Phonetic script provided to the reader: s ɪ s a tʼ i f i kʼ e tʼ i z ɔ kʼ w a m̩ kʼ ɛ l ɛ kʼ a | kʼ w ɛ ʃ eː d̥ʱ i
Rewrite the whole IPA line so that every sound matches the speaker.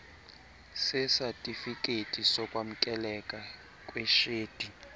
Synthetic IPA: s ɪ s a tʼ i f i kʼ e tʼ i s ɔ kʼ w a m̩ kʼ ɛ l ɛ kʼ a | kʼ w ɛ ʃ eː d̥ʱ i